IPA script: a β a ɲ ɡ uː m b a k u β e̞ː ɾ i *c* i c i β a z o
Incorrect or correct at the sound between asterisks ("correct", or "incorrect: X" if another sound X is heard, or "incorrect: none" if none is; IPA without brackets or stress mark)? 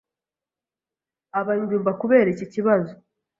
correct